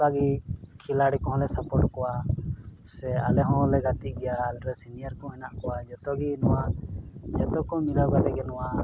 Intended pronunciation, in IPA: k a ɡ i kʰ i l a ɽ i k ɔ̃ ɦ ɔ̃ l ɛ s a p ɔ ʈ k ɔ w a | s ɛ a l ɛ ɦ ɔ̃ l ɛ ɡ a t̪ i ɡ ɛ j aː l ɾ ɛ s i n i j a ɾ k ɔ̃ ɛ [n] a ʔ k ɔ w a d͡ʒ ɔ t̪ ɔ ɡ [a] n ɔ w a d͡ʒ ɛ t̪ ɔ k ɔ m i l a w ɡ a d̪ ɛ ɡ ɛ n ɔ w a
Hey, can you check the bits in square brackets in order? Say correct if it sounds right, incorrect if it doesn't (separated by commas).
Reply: correct, incorrect